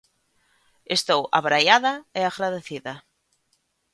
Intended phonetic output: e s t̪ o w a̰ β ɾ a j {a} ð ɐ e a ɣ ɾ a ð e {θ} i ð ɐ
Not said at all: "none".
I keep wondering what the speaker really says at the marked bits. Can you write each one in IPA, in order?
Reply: a, θ

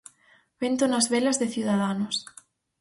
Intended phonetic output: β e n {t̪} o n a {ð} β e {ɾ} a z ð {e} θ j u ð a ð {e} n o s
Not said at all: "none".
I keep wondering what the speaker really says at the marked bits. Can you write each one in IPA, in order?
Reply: t̪, z, l, e, a

